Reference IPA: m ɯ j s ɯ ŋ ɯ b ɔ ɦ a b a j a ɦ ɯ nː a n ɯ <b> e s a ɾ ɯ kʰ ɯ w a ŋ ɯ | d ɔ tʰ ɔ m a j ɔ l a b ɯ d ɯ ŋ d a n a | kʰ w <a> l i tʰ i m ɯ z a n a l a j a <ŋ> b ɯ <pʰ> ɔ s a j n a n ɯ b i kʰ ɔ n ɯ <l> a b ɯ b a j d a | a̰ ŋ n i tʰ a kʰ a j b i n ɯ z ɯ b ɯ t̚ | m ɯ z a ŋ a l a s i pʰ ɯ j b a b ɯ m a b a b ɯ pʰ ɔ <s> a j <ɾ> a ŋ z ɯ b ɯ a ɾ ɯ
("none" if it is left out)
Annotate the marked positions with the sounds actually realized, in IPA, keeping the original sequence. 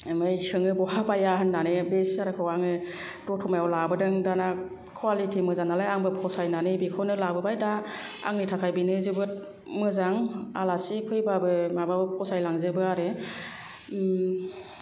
b, a, ŋ, pʰ, l, s, l

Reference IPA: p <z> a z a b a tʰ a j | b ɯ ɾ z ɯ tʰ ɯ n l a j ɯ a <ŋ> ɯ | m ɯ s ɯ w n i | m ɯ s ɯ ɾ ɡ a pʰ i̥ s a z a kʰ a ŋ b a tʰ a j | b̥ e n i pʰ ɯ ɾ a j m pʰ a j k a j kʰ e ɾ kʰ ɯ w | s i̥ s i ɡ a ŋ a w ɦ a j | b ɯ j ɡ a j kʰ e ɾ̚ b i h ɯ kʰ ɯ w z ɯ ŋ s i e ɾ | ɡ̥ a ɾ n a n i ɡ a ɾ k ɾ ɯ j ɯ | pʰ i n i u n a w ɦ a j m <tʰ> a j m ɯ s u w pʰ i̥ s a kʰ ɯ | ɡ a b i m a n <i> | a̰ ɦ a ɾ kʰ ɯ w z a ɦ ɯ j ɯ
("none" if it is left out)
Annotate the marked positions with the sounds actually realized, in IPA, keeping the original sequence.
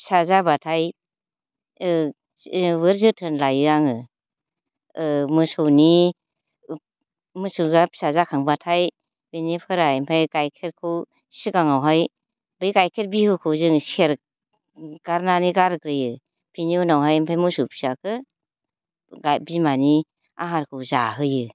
s, ŋ, pʰ, i

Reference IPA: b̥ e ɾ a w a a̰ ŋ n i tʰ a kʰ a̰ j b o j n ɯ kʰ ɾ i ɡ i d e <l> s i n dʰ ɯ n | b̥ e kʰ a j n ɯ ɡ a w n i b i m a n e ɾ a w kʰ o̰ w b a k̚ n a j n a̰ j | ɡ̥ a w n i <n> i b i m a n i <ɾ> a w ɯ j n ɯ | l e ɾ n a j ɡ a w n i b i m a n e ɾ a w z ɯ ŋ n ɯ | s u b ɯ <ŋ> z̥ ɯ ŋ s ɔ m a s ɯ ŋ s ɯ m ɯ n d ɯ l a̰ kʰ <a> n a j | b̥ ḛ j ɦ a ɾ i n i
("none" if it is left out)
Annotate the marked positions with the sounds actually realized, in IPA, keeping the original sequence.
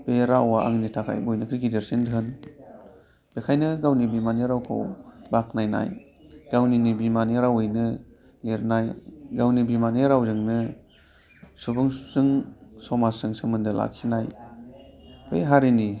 ɾ, n, ɾ, ŋ, i

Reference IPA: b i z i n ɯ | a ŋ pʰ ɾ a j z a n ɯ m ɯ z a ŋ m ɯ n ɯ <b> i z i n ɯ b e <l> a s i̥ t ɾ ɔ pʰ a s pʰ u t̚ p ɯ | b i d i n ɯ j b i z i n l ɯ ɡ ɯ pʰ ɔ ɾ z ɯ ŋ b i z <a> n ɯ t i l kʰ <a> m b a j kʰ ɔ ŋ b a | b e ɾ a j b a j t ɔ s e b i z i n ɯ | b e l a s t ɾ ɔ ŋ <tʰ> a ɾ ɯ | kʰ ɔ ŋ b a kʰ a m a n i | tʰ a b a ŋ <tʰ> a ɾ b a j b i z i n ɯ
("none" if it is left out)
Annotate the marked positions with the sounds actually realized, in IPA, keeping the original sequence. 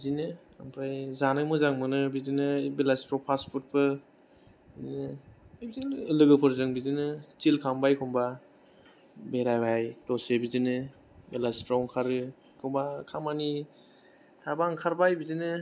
b, l, i, a, kʰ, kʰ

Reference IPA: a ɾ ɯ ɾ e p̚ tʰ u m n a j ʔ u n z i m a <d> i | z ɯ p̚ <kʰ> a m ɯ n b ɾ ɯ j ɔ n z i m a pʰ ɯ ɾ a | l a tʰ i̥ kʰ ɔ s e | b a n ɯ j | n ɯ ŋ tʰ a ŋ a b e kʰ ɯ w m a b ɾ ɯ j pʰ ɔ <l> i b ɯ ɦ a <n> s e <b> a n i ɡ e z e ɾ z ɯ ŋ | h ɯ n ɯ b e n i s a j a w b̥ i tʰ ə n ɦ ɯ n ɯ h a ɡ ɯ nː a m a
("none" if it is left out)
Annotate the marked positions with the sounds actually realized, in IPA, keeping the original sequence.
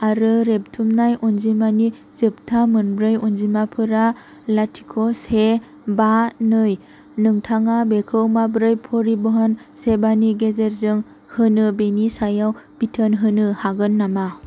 n, tʰ, ɾ, n, b

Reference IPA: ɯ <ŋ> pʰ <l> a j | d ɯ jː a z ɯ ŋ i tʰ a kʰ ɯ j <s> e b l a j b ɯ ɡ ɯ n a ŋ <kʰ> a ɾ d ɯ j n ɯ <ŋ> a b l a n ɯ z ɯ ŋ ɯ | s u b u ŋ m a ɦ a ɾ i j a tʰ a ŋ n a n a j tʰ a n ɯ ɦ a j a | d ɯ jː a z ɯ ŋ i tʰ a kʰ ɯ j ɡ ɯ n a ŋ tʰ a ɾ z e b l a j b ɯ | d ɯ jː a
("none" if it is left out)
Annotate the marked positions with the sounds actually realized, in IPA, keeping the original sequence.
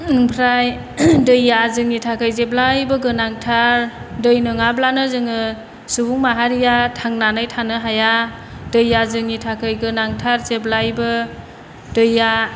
ŋ, ɾ, z, tʰ, ŋ

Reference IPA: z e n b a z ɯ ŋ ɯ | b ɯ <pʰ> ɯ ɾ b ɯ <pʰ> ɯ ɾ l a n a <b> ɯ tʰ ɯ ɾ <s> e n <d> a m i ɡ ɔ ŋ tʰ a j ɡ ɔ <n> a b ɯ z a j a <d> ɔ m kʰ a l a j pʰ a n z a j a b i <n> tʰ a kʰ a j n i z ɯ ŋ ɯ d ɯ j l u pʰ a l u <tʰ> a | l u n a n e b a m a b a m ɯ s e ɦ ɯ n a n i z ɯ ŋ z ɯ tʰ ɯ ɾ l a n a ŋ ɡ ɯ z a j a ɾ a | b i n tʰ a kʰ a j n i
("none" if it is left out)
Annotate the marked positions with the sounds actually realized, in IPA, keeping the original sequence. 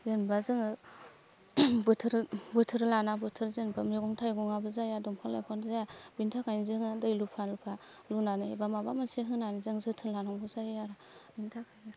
tʰ, tʰ, b, z, b, ŋ, d, n, pʰ

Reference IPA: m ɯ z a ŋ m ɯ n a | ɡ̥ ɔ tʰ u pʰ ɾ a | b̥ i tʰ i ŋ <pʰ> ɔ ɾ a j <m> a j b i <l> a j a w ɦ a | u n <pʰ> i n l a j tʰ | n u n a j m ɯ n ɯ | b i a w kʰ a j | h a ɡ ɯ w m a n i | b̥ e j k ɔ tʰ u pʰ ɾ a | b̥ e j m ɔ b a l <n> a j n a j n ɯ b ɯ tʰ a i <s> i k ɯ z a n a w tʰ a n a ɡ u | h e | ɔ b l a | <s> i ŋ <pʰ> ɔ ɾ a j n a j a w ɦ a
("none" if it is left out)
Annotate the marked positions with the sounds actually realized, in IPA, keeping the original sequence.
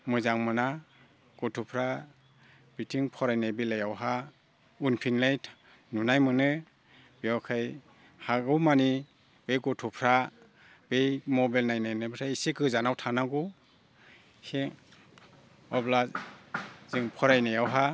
pʰ, n, l, pʰ, n, s, z, pʰ

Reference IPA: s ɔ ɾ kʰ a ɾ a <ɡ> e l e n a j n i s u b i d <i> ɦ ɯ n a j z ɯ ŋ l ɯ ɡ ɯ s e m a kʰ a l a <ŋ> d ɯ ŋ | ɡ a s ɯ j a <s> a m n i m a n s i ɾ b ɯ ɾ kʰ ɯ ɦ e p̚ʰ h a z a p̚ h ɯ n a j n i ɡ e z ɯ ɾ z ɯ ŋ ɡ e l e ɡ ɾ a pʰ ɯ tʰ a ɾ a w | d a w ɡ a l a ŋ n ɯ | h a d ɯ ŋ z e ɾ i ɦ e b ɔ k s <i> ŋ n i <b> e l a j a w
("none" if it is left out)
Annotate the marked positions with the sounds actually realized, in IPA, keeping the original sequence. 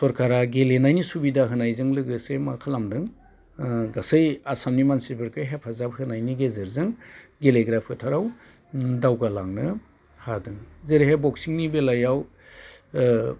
ɡ, a, m, s, i, b

